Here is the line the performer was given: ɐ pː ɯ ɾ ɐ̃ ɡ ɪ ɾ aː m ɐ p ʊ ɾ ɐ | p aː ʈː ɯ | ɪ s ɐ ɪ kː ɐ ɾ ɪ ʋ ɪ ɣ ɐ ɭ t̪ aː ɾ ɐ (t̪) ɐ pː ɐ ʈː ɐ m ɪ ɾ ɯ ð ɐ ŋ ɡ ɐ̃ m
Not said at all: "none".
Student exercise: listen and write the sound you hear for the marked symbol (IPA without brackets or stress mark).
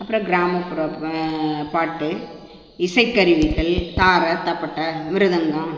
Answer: t̪